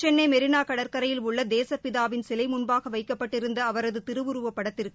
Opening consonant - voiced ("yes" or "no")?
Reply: no